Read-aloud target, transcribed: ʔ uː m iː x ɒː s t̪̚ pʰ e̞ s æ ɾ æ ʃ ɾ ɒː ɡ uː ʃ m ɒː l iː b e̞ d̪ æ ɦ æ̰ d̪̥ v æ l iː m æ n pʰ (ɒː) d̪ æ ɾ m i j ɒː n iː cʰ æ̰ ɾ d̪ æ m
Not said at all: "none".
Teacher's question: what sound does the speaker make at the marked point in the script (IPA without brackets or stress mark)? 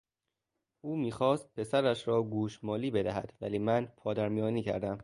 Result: ɒː